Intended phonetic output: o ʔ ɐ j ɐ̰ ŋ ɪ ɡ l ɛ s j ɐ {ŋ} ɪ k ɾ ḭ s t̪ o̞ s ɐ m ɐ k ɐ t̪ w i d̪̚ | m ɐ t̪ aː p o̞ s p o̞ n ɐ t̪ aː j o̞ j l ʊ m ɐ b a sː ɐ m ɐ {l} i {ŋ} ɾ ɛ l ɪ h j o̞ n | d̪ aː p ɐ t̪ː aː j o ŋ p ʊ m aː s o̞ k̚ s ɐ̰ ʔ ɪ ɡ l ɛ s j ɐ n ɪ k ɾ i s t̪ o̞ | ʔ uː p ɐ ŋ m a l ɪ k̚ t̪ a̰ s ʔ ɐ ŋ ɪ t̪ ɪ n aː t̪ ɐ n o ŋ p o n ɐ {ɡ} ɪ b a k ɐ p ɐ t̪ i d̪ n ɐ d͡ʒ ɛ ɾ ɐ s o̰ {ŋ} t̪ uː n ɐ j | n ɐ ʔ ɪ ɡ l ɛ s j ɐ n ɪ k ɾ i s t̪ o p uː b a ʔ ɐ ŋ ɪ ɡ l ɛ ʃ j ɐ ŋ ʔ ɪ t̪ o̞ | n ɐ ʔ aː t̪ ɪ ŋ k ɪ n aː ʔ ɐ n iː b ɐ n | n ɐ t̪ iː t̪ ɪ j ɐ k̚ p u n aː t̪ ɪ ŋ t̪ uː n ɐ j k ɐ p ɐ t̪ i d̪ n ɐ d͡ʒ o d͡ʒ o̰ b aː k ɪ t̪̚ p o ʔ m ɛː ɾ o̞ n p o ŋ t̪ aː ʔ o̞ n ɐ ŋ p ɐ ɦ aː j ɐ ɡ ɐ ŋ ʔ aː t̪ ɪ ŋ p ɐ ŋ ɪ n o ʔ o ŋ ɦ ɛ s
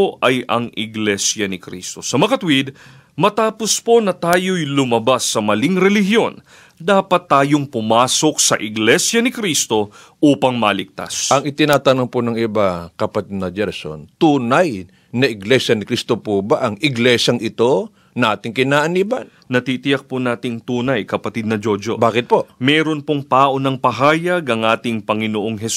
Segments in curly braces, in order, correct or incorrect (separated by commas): incorrect, correct, correct, incorrect, incorrect